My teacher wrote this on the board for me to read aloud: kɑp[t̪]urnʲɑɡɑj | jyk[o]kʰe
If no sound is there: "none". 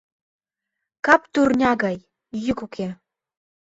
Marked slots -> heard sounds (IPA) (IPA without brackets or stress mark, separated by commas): t̪, u